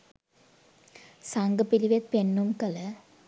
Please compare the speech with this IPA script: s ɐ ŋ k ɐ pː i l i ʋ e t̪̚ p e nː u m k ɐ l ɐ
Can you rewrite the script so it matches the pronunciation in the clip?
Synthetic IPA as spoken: s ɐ ŋ ɡ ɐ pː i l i ʋ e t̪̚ p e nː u m k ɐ l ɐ